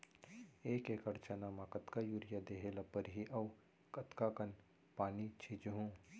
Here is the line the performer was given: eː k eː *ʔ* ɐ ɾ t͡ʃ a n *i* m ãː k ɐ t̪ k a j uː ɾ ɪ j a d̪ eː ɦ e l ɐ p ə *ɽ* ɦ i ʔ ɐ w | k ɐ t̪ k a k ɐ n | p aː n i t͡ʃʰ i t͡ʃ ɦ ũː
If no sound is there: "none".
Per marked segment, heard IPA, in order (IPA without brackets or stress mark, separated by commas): k, a, ɾ